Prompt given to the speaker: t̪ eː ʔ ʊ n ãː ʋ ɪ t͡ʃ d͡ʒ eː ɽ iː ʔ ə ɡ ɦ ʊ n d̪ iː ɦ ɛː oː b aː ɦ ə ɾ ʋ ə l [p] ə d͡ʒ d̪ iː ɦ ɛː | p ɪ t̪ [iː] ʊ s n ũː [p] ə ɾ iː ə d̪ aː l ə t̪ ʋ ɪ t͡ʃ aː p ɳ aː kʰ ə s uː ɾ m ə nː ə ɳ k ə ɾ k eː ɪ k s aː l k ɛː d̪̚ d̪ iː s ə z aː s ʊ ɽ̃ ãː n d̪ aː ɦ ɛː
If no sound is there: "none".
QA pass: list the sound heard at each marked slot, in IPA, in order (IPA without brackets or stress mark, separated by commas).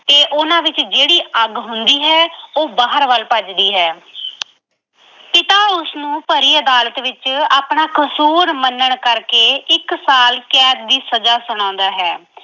p, aː, p